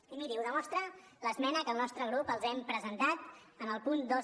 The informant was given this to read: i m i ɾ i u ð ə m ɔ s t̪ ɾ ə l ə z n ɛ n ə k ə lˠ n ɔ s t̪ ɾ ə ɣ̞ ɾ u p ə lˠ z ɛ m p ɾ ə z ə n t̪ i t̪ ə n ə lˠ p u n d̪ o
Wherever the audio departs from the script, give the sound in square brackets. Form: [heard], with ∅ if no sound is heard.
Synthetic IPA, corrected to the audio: i m i ɾ i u ð ə m ɔ s t̪ ɾ ə l ə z [m] ɛ n ə k ə lˠ n ɔ s t̪ ɾ ə ɣ̞ ɾ u p ə lˠ z ɛ m p ɾ ə z ə n t̪ [a] t̪ ə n ə lˠ p u n d̪ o